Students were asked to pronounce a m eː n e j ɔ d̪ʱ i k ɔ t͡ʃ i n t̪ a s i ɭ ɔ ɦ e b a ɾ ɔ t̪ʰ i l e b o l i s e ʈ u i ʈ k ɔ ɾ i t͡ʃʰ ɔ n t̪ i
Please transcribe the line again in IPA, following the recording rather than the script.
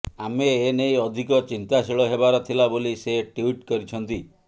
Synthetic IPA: a m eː n e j ɔ d̪ʱ i k ɔ t͡ʃ i n t̪ a s i ɭ ɔ ɦ e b a ɾ ɔ t̪ʰ i l a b o l i s e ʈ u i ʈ k ɔ ɾ i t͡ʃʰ ɔ n t̪ i